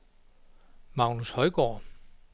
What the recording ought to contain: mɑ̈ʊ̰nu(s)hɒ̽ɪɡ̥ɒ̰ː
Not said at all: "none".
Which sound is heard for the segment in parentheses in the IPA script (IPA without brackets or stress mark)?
s